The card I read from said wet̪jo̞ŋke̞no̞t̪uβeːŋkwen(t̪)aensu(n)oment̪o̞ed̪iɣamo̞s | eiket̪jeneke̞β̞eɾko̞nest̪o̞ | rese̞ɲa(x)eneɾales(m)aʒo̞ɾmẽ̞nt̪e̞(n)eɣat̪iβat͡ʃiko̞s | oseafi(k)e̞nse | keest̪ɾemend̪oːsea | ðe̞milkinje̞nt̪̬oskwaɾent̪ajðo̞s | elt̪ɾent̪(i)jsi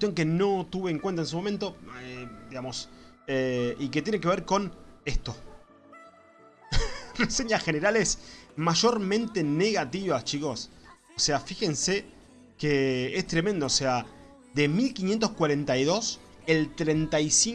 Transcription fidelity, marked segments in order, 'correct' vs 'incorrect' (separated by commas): correct, incorrect, correct, correct, correct, incorrect, incorrect